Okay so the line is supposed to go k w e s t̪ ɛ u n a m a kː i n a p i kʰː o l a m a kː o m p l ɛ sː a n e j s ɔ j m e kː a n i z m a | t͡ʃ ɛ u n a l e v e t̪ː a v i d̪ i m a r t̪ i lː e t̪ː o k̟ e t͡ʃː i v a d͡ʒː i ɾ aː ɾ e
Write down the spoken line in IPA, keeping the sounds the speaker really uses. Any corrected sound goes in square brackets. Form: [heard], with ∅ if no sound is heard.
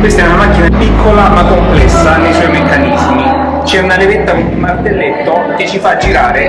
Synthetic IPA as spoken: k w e s t̪ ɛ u n a m a kː i n a p i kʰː o l a m a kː o m p l ɛ sː a n e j s ɔ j m e kː a n i z m [i] | t͡ʃ ɛ u n a l e v e t̪ː a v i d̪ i m a r t̪ [e] lː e t̪ː o k̟ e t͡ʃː i [f] a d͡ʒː i ɾ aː ɾ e